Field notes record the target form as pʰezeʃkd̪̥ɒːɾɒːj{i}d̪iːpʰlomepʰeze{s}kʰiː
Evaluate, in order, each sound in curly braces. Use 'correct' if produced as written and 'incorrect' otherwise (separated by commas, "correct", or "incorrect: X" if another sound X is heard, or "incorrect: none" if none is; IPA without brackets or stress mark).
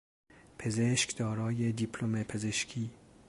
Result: incorrect: e, incorrect: ʃ